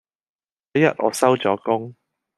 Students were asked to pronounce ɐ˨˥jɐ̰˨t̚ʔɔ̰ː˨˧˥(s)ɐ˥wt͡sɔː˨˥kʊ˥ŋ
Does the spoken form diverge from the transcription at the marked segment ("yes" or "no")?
no